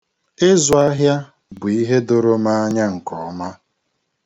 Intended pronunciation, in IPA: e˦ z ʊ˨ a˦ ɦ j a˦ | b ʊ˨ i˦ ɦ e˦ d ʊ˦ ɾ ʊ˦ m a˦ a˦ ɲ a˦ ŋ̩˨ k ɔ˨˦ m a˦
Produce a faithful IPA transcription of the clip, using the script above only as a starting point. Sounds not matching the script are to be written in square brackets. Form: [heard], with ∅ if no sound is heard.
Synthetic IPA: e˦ z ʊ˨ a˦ ɦ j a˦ | b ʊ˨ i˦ ɦ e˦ d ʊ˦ ɾ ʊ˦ m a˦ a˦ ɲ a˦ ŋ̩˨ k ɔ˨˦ m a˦